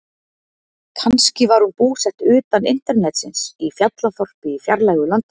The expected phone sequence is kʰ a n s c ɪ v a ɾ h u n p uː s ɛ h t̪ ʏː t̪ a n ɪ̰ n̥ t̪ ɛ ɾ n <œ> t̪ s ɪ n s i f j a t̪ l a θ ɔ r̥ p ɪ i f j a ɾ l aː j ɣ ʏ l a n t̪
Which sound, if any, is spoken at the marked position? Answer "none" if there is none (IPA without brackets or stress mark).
ɛ